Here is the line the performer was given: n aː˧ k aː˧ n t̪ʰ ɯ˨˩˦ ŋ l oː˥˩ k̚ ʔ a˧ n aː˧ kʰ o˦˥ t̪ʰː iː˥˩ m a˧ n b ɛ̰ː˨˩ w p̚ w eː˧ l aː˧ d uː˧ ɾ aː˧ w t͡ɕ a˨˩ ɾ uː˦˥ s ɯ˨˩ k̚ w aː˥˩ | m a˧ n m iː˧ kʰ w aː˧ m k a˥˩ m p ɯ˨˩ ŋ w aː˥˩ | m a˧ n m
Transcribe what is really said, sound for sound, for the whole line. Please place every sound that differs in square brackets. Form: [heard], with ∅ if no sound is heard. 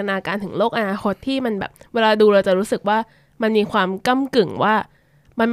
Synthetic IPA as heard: n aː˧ k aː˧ n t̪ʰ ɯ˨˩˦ ŋ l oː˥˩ k̚ ʔ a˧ n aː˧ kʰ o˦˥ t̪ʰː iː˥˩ m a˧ n b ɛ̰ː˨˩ [∅] p̚ w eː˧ l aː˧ d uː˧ ɾ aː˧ w t͡ɕ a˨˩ ɾ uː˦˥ s ɯ˨˩ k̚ w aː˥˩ | m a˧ n m iː˧ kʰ w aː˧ m k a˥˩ m [k] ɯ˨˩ ŋ w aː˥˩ | m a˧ n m